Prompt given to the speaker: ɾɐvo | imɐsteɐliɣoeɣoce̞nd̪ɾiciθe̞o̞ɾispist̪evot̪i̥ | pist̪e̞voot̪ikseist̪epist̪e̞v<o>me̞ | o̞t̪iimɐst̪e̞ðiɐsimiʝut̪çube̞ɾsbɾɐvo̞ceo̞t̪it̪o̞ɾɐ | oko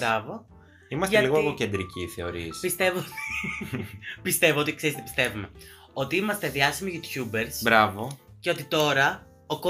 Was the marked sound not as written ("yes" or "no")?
yes